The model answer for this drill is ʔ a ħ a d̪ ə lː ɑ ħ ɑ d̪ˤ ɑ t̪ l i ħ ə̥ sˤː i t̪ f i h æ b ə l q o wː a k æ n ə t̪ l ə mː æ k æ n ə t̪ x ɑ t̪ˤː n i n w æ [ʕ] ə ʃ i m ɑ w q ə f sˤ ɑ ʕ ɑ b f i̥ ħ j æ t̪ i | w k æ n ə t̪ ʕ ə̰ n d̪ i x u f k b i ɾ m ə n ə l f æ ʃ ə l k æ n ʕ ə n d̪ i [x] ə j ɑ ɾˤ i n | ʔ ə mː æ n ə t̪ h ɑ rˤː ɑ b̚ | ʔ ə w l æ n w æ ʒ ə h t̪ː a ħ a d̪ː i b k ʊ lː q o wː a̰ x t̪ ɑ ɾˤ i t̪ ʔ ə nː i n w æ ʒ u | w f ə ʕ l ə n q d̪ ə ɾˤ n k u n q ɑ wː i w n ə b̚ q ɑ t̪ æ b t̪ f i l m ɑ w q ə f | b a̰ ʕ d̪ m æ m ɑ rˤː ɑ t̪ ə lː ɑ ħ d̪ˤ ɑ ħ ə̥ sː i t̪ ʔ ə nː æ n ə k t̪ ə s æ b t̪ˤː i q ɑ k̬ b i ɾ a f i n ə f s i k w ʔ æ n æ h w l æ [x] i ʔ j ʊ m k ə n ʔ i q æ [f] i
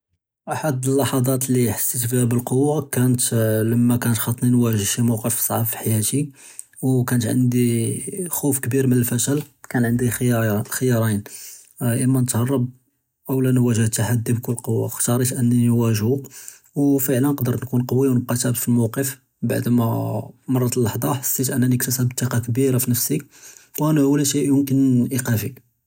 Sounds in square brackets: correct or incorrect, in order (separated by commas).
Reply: incorrect, correct, incorrect, correct